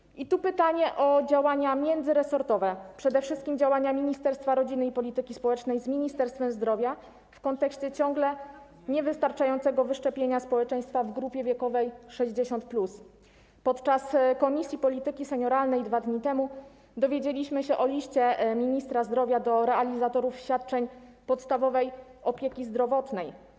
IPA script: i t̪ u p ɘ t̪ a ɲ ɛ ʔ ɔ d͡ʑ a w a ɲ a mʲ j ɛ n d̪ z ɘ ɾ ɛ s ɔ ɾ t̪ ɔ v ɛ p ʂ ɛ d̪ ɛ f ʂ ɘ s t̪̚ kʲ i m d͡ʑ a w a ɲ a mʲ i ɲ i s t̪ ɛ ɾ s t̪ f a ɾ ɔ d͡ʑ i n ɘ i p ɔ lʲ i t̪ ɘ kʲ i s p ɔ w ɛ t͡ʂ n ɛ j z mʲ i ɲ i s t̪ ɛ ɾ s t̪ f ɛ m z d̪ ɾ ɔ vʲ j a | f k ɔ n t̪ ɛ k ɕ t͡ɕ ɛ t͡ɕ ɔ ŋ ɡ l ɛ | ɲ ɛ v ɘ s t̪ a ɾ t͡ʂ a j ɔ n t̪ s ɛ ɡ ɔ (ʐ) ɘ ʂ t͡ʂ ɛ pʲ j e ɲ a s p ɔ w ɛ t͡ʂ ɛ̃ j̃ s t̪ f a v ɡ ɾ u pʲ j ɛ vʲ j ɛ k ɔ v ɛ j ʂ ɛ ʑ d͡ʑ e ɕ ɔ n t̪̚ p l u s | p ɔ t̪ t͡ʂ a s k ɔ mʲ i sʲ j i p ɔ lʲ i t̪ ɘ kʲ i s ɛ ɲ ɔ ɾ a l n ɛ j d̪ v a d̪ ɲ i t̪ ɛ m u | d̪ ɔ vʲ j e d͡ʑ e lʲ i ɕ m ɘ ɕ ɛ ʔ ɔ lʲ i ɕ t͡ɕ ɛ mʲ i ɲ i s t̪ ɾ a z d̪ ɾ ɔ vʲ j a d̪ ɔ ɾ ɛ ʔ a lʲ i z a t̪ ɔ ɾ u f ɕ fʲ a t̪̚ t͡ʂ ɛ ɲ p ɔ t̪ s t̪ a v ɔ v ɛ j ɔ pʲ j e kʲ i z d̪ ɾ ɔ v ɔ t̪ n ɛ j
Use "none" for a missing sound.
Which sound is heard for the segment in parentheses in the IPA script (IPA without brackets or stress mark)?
v